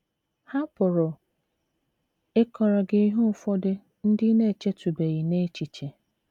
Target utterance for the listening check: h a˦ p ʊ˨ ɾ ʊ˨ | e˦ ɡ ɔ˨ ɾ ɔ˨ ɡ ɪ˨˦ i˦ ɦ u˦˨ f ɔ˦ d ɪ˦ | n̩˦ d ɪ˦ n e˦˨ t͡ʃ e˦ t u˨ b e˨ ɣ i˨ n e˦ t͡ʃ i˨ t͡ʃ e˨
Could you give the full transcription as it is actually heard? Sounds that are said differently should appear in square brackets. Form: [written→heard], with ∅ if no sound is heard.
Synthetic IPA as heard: h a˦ p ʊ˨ ɾ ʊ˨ | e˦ [ɡ→k] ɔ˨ ɾ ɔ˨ ɡ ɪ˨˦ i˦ ɦ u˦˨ f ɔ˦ d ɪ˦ | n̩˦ d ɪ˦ n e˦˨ t͡ʃ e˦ t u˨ b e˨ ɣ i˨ n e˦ t͡ʃ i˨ t͡ʃ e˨